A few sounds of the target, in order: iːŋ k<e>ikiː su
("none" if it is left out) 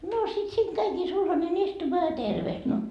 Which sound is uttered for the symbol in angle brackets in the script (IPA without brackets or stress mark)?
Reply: æ